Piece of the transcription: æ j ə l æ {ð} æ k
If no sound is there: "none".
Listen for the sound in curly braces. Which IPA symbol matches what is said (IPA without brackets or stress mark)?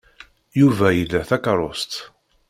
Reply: θ